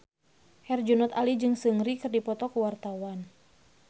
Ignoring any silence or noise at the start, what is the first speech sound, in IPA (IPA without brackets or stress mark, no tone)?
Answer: h